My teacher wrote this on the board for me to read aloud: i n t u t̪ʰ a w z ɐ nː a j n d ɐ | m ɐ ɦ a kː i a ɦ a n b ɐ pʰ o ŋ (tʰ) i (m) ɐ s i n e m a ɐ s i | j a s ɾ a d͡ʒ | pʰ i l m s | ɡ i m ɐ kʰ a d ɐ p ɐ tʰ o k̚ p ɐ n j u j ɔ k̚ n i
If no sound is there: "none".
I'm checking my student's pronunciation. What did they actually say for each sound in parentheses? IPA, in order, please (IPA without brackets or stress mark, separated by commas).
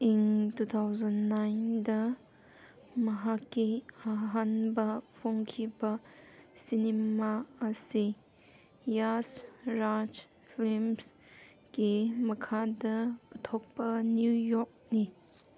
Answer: kʰ, b